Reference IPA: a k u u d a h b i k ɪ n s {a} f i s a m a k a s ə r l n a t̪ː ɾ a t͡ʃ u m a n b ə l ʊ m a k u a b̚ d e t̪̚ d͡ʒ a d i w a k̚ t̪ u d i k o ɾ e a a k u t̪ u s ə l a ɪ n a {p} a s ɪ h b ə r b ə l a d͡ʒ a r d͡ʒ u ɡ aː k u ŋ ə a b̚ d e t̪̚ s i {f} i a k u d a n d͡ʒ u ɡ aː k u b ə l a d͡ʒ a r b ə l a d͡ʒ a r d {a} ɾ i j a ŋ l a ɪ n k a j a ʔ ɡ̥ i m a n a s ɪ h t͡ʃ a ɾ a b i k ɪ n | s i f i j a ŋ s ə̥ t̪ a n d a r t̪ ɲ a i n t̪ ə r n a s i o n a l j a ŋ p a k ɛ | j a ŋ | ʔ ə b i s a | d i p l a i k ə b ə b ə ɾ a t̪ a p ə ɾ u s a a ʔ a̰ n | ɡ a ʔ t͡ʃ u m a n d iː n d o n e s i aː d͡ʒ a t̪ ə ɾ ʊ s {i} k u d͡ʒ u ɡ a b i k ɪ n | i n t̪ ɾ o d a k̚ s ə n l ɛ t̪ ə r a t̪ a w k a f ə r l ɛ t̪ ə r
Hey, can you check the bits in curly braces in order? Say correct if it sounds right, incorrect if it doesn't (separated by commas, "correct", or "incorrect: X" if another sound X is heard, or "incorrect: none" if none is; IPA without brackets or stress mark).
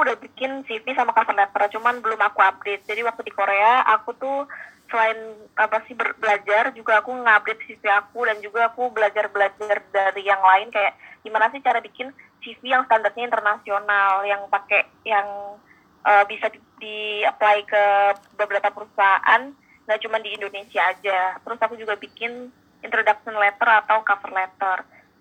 incorrect: i, correct, correct, correct, incorrect: a